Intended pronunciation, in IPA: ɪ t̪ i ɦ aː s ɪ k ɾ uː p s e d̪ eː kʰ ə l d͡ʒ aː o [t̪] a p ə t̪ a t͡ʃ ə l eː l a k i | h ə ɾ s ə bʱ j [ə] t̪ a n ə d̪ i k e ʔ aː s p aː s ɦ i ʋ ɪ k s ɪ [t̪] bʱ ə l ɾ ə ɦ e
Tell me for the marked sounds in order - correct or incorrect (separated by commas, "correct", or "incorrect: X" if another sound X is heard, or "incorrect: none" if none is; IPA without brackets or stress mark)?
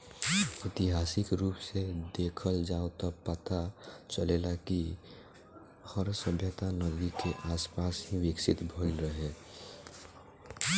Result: correct, correct, correct